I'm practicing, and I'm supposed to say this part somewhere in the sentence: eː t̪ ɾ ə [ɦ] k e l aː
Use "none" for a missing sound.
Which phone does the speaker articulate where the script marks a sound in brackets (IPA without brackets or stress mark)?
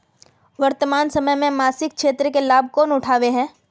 none